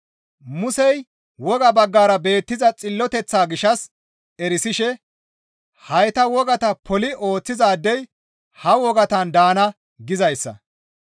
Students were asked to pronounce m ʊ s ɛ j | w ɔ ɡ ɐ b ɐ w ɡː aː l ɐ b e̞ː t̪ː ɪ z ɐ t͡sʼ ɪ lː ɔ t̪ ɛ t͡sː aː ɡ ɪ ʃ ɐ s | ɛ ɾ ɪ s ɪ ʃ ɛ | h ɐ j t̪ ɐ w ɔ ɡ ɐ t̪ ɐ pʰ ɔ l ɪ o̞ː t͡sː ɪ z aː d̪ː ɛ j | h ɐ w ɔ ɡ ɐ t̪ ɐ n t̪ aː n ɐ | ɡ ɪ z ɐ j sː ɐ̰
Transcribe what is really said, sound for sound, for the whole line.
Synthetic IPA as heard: m ʊ s ɛ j | w ɔ ɡ ɐ b ɐ ɡː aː ɾ ɐ b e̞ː t̪ː ɪ z ɐ t͡sʼ ɪ lː ɔ t̪ ɛ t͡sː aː ɡ ɪ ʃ ɐ s | ɛ ɾ ɪ s ɪ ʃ ɛ | h ɐ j t̪ ɐ w ɔ ɡ ɐ t̪ ɐ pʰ ɔ l ɪ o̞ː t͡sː ɪ z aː d̪ː ɛ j | h ɐ w ɔ ɡ ɐ t̪ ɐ n d̪ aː n ɐ | ɡ ɪ z ɐ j sː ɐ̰

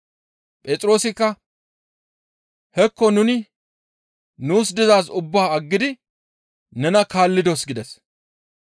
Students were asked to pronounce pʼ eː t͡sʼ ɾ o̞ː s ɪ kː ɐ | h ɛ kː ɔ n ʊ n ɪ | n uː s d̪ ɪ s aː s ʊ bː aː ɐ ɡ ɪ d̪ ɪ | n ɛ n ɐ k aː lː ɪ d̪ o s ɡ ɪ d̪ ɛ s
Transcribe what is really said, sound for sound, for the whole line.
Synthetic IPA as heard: pʼ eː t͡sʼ ɾ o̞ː s ɪ kː ɐ | h ɛ kː ɔ n ʊ n ɪ | n uː s d̪ ɪ z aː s ʊ bː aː ɐ ɡː ɪ d̪ ɪ | n ɛ n ɐ k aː lː ɪ d̪ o s ɡ ɪ d̪ ɛ s

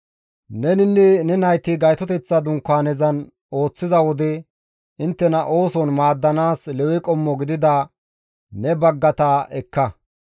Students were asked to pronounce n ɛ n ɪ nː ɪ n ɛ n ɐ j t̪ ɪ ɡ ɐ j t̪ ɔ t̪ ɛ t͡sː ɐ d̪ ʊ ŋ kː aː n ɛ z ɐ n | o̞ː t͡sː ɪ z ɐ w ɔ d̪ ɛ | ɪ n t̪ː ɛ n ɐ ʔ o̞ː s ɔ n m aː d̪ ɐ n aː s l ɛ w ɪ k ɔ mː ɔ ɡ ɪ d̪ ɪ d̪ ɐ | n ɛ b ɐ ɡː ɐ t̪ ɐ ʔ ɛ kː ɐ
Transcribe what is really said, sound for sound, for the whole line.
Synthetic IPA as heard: n ɛ n ɪ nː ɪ n ɛ n ɐ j t̪ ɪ ɡ ɐ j t̪ ɔ t̪ ɛ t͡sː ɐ d̪ ʊ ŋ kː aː n ɛ z ɐ n | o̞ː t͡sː ɪ z ɐ w ɔ d̪ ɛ | ɪ n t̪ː ɛ n ɐ ʔ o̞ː s ɔ n m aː d̪ː ɐ n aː s l ɛ w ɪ kʼ ɔ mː ɔ ɡ ɪ d̪ ɪ d̪ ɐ | n ɛ b ɐ ɡː ɐ t̪ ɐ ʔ ɛ kː ɐ

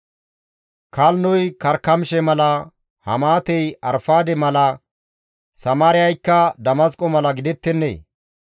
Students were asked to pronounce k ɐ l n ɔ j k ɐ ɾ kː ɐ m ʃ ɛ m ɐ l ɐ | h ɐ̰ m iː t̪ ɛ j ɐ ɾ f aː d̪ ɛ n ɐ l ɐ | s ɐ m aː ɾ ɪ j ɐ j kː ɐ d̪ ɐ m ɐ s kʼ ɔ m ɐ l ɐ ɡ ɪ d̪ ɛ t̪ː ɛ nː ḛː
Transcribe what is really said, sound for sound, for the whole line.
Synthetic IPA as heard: k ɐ l n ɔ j k ɐ ɾ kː ɐ m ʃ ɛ m ɐ l ɐ | h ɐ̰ m aː t̪ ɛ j ɐ ɾ f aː d̪ ɛ m ɐ l ɐ | s ɐ m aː ɾ ɪ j ɐ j kː ɐ d̪ ɐ m ɐ s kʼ ɔ m ɐ l ɐ ɡ ɪ d̪ ɛ t̪ː ɛ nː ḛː

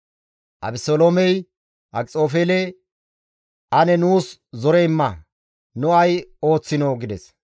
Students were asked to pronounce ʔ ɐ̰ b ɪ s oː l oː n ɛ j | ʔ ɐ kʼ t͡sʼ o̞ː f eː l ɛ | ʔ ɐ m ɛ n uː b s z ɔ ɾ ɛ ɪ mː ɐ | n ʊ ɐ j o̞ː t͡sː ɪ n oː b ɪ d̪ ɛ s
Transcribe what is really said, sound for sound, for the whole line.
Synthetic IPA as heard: ʔ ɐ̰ b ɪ s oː l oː m ɛ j | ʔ ɐ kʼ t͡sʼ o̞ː f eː l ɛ | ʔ ɐ n ɛ n uː s z ɔ ɾ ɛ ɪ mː ɐ | n ʊ ɐ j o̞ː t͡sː ɪ n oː ɡ ɪ d̪ ɛ s

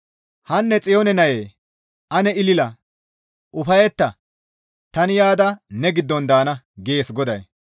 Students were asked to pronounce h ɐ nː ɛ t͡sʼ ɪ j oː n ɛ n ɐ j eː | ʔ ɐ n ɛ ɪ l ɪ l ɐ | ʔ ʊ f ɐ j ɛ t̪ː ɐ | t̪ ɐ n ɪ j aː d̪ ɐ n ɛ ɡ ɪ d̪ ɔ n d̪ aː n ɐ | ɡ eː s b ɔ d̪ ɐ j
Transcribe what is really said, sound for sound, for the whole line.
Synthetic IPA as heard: h ɐ nː ɛ t͡sʼ ɪ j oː n ɛ n ɐ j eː | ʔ ɐ n ɛ ɪ l ɪ l ɐ | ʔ ʊ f ɐ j ɛ t̪ː ɐ | t̪ ɐ n ɪ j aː d̪ ɐ n ɛ ɡ ɪ d̪ː ɔ n d̪ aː n ɐ | ɡ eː s ɡ ɔ d̪ ɐ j

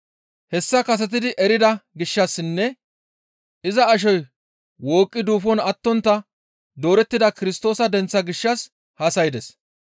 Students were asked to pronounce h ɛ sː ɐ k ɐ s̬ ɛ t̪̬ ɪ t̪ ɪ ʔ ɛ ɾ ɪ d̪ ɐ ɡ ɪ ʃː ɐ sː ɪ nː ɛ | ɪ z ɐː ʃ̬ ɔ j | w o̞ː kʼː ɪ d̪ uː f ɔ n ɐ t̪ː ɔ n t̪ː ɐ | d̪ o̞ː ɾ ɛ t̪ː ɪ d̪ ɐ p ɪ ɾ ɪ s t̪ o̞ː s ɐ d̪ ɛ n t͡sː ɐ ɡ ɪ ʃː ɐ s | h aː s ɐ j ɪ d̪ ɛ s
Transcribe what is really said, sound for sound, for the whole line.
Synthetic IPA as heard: h ɛ sː ɐ k ɐ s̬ ɛ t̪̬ ɪ d̪ ɪ ʔ ɛ ɾ ɪ d̪ ɐ ɡ ɪ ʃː ɐ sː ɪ nː ɛ | ɪ z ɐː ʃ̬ ɔ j | w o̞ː kʼː ɪ d̪ uː f ɔ n ɐ t̪ː ɔ n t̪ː ɐ | d̪ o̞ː ɾ ɛ t̪ː ɪ d̪ ɐ k ɪ ɾ ɪ s t̪ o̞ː s ɐ d̪ ɛ n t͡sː ɐ ɡ ɪ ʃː ɐ s | h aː s ɐ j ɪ d̪ ɛ s

